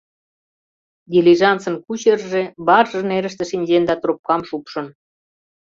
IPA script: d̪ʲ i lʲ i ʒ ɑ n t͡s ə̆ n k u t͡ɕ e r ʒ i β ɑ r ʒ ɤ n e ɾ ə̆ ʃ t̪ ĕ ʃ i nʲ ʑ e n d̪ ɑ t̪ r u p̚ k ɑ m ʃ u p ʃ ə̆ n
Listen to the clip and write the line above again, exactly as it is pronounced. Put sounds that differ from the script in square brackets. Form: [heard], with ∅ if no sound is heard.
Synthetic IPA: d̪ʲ i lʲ i ʒ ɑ n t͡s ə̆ n k u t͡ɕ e r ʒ [e] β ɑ r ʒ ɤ n e ɾ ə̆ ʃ t̪ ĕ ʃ i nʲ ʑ e n d̪ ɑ t̪ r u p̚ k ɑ m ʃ u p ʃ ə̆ n

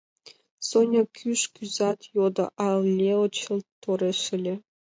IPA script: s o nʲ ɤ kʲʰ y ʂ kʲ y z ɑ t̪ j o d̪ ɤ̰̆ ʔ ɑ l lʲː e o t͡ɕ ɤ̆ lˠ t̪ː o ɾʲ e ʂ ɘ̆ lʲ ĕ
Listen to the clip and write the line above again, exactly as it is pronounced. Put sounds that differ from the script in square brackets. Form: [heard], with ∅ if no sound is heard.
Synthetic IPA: s o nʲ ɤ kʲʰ y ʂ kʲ y z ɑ t̪ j o d̪ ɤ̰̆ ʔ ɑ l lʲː e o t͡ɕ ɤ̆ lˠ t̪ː o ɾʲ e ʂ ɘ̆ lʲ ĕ

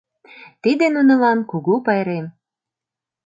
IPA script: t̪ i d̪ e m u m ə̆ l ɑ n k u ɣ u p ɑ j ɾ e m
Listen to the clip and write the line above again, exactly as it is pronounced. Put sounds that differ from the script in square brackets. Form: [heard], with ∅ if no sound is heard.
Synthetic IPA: t̪ i d̪ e [n] u [n] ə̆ l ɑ n k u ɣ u p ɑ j ɾ e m

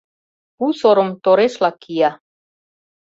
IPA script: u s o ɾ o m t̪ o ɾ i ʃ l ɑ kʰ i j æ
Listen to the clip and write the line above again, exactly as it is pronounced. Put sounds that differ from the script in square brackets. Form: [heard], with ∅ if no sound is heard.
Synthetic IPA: u s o ɾ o m t̪ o ɾ [e] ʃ l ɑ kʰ i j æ

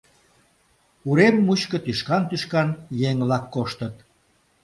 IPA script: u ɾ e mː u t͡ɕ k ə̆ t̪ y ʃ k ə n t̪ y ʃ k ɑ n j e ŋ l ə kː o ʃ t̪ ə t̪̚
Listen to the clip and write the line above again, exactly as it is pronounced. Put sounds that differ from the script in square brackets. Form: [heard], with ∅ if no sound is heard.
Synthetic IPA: u ɾ e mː u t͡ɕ k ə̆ t̪ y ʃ k [ɑ] n t̪ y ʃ k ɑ n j e ŋ l [ɑ] kː o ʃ t̪ ə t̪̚

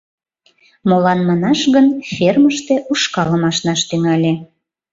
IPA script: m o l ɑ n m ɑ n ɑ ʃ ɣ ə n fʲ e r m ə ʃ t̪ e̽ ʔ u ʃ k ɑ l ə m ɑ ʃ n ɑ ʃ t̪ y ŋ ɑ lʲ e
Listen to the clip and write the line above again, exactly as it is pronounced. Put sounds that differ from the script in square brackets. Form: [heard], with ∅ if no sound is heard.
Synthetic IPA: m o l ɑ n m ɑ n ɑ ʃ ɣ ə n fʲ e r m ə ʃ t̪ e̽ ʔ u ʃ k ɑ l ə m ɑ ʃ n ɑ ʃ t̪ y ŋ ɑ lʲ e

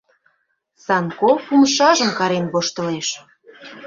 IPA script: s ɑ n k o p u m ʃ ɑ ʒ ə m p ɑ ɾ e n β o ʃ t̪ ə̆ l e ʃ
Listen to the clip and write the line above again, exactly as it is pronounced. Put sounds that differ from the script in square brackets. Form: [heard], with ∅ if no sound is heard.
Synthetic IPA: s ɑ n k o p u m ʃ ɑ ʒ ə m [k] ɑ ɾ e n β o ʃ t̪ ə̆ l e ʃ

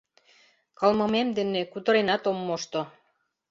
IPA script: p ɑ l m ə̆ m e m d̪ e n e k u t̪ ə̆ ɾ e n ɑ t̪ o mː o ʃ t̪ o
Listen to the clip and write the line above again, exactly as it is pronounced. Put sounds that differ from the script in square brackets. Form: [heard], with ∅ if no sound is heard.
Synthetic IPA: [k] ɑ l m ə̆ m e m d̪ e n e k u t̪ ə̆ ɾ e n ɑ t̪ o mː o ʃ t̪ o

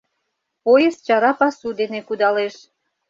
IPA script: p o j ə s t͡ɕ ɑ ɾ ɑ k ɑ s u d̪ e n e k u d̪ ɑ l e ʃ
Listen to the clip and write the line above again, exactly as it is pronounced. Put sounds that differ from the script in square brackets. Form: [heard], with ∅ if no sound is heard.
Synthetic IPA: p o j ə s t͡ɕ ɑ ɾ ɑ [p] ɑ s u d̪ e n e k u d̪ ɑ l e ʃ

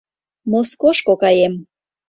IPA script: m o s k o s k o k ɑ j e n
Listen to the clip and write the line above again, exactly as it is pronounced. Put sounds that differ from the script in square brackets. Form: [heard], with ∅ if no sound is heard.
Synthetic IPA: m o s k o [ʃ] k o k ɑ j e [m]

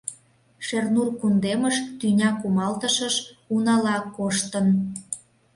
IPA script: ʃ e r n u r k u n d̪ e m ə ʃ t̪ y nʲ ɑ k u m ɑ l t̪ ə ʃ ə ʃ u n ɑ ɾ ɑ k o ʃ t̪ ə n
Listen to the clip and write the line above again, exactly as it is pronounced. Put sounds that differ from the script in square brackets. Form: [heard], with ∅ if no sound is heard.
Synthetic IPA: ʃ e r n u r k u n d̪ e m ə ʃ t̪ y nʲ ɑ k u m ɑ l t̪ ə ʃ ə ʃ u n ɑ [l] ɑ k o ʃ t̪ ə n

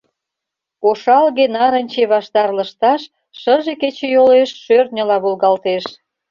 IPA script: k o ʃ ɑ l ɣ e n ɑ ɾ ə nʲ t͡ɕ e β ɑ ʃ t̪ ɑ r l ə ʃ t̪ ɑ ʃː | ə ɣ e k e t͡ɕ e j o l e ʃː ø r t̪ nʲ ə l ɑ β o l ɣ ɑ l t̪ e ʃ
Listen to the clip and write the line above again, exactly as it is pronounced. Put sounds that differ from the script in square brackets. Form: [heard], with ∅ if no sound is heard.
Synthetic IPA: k o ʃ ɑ l ɣ e n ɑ ɾ ə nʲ t͡ɕ e β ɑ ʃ t̪ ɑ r l ə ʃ t̪ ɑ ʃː | ə [ʒ] e k e t͡ɕ e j o l e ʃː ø r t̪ nʲ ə l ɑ β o l ɣ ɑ l t̪ e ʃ

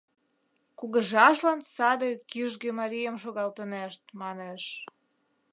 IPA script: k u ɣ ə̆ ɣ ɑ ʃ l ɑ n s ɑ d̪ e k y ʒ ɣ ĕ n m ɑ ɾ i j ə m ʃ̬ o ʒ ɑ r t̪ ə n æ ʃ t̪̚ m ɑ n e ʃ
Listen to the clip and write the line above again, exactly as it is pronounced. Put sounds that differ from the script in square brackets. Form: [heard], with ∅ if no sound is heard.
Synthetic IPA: k u ɣ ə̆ [ʒ] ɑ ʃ l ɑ n s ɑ d̪ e k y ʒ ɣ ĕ [∅] m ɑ ɾ i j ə m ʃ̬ o [ɣ] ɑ [l] t̪ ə n æ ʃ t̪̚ m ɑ n e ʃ

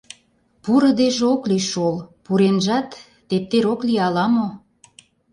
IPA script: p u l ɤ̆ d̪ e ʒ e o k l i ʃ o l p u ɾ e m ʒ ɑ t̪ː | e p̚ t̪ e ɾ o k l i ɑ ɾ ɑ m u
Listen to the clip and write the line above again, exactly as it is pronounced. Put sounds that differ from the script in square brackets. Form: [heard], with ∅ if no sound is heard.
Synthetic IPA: p u [ɾ] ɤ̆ d̪ e ʒ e o k l i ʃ o l p u ɾ e [n] ʒ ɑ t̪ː | e p̚ t̪ e ɾ o k l i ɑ [l] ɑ m [o]

